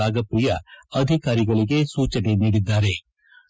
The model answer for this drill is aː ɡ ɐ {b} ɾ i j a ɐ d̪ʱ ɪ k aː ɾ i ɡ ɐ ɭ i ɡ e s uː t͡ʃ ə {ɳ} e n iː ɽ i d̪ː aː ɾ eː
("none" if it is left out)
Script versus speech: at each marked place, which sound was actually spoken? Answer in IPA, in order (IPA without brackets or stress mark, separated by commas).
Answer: p, n